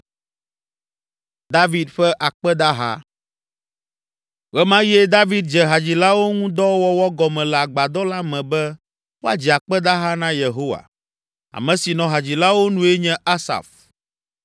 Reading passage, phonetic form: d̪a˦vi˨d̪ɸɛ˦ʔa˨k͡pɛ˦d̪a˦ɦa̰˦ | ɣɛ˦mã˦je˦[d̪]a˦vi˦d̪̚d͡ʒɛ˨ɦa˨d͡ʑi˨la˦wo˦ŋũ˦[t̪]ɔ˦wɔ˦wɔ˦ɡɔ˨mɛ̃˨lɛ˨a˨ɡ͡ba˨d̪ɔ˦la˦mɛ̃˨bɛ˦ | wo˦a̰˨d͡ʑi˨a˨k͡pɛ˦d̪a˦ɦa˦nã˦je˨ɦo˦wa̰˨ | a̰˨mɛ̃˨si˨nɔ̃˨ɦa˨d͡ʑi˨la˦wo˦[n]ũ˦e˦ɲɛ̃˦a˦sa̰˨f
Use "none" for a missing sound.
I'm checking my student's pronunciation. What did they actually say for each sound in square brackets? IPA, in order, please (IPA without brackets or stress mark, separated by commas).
d̪, d̪, n